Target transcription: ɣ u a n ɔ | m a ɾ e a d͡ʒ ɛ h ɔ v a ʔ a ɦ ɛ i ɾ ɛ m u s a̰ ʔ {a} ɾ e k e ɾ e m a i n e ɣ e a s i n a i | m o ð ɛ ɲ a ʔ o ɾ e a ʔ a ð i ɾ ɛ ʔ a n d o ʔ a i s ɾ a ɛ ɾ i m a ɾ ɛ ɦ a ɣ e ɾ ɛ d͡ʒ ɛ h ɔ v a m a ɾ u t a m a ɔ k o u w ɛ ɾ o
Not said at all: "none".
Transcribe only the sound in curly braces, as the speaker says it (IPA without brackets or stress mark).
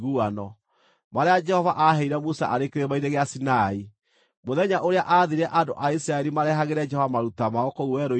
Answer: a